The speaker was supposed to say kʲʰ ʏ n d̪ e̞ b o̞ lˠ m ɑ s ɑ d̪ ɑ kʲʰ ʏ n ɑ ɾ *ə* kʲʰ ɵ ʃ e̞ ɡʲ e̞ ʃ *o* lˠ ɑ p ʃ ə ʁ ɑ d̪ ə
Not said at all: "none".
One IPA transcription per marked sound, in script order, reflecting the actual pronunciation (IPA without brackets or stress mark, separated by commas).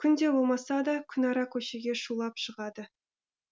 ɑ, u